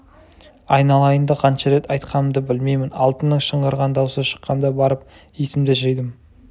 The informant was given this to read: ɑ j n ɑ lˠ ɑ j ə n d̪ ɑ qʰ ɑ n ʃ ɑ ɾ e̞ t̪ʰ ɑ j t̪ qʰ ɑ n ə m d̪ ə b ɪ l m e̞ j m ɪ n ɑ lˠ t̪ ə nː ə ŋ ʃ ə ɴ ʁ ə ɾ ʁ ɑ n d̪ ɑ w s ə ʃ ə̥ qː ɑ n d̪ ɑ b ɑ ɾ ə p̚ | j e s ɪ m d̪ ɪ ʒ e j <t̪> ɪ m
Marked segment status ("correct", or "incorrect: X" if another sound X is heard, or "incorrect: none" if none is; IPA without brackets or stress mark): incorrect: d̪